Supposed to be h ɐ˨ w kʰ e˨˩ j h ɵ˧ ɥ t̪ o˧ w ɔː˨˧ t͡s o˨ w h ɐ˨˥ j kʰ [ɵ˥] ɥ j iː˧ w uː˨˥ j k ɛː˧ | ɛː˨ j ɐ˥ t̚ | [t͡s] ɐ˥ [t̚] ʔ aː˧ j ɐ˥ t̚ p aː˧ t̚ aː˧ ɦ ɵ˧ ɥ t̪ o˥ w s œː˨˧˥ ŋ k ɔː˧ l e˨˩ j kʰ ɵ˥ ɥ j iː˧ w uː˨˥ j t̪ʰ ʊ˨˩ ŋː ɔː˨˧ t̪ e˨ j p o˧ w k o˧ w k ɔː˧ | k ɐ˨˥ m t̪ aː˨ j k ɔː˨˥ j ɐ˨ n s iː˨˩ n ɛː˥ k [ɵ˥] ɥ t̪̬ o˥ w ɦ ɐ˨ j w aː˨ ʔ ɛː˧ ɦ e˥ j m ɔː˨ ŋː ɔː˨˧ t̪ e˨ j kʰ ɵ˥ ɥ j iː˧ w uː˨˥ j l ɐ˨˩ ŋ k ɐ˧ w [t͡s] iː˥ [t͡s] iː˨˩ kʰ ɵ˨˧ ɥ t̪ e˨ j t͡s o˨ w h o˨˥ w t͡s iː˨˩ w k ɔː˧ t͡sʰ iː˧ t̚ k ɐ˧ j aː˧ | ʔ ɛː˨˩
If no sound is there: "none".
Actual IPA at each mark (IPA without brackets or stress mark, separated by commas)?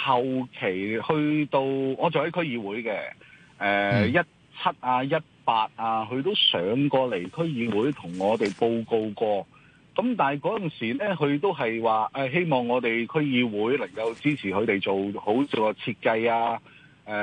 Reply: ɵ˥, t͡sʰ, t̚, ɵ˨˧, t͡s, t͡sʰ